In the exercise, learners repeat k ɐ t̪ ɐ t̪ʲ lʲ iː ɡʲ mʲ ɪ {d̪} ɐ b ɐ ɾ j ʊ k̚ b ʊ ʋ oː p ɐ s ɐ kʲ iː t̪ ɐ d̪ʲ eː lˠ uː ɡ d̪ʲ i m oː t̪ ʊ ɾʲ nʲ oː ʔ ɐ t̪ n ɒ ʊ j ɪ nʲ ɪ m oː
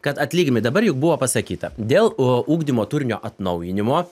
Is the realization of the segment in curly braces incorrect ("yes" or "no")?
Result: no